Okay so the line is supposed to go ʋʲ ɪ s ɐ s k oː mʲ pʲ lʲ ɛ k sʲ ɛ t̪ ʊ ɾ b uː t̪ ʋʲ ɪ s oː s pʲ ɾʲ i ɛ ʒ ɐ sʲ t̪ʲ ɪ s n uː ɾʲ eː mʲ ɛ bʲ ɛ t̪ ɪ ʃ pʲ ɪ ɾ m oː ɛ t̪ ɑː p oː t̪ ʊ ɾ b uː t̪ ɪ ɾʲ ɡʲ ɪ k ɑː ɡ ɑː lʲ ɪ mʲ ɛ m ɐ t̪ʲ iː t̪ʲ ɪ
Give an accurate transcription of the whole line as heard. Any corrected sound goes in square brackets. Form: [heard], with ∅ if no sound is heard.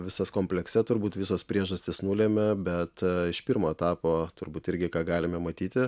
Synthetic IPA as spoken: ʋʲ ɪ s ɐ s k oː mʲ pʲ lʲ ɛ k sʲ ɛ t̪ ʊ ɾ b uː t̪ ʋʲ ɪ s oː s pʲ ɾʲ i ɛ ʒ ɐ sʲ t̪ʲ ɪ s n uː [lʲ] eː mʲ ɛ bʲ ɛ t̪ ɪ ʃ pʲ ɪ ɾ m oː ɛ t̪ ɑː p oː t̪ ʊ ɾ b uː t̪ ɪ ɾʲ ɡʲ ɪ k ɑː ɡ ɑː lʲ ɪ mʲ ɛ m ɐ t̪ʲ iː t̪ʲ ɪ